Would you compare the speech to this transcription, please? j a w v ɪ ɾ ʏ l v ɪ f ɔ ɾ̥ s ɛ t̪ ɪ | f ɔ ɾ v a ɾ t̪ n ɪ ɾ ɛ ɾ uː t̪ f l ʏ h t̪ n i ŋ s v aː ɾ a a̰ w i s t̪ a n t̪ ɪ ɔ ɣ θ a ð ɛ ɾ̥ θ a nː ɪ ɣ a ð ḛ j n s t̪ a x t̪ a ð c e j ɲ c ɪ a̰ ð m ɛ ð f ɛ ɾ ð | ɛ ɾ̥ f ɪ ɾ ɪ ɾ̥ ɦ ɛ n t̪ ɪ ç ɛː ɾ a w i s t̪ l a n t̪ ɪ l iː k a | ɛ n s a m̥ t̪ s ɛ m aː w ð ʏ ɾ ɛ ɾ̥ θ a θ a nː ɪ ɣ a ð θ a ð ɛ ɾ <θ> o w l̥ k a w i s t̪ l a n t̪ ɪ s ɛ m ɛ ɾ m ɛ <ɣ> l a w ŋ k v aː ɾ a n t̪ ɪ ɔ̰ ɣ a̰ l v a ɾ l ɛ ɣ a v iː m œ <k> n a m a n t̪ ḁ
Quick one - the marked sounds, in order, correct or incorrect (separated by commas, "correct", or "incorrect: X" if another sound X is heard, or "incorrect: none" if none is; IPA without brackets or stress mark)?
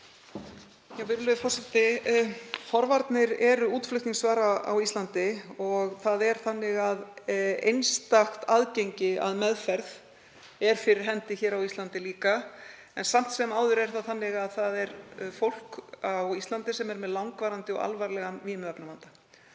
incorrect: f, incorrect: ð, incorrect: p